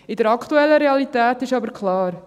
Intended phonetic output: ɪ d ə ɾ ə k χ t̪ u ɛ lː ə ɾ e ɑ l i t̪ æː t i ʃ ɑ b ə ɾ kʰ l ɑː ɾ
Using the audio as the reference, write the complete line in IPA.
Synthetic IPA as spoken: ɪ d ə ɾ ɑ k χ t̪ u ɛ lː ə ɾ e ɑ l i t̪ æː t ɪ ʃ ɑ b ə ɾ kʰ l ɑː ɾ